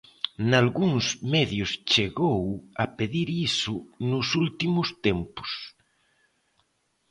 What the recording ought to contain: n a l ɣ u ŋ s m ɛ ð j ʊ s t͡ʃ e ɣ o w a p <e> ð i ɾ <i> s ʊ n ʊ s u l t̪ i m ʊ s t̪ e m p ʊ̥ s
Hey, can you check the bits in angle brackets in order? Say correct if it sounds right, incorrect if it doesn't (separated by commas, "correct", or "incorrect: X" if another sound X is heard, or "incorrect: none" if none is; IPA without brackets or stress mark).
correct, correct